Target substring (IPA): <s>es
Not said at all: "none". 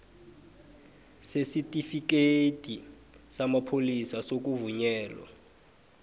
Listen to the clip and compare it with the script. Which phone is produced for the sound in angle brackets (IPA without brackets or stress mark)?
s